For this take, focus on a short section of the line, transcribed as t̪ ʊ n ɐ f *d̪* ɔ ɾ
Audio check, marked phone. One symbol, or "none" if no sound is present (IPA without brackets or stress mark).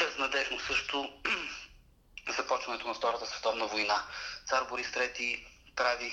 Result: t̪